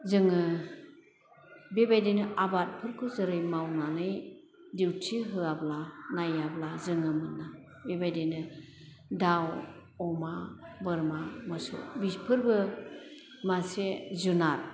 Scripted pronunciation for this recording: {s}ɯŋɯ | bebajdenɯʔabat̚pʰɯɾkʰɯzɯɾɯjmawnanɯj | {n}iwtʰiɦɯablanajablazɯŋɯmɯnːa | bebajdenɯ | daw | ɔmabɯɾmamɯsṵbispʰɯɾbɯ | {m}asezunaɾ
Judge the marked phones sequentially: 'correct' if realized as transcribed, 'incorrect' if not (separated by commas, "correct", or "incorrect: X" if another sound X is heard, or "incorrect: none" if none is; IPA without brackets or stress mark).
incorrect: z, incorrect: d, correct